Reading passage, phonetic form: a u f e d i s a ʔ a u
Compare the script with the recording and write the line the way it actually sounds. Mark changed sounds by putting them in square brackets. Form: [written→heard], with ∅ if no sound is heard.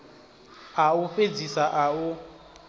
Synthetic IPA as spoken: a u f e [d→d͡z] i s a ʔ a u